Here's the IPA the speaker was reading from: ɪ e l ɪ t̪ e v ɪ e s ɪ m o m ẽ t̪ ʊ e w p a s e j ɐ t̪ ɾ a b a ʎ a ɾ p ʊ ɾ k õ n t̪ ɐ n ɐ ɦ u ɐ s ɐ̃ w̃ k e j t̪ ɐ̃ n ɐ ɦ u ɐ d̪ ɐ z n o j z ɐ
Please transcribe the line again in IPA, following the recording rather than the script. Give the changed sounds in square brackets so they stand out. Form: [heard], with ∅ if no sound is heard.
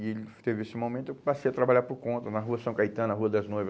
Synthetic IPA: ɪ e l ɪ t̪ e v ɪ e s ɪ m o m ẽ t̪ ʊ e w p a s e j ɐ t̪ ɾ a b a ʎ a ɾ p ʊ ɾ k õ n t̪ ɐ n ɐ ɦ u ɐ s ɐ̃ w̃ k [a] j t̪ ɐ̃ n ɐ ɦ u ɐ d̪ ɐ z n o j [v] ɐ